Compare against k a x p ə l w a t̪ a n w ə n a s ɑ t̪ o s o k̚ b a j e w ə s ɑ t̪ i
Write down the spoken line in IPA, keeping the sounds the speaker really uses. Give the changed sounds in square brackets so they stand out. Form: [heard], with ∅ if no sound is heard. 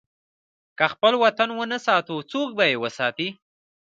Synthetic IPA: k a x p ə l w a t̪ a n w ə n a s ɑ t̪ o [t͡s] o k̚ b a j e w ə s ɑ t̪ i